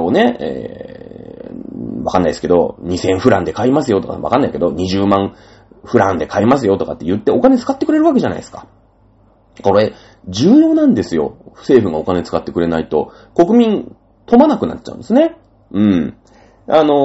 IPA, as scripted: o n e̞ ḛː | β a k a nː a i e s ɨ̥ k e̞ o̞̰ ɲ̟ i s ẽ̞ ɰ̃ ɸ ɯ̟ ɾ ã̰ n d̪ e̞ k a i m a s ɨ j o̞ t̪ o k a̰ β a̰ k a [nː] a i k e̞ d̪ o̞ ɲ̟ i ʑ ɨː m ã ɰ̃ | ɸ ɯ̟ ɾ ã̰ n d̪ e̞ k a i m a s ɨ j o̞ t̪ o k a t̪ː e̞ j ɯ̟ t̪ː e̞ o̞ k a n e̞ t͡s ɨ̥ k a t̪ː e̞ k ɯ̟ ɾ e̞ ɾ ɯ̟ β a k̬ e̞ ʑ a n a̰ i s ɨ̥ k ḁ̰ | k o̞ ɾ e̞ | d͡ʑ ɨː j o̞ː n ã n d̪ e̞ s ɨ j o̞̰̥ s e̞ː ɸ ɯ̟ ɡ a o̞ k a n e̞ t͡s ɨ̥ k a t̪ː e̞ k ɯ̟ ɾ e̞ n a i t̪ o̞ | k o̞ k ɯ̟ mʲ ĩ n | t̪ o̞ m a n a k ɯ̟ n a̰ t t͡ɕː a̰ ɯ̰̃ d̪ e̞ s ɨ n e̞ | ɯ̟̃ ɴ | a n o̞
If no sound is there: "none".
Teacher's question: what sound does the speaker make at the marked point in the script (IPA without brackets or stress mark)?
nː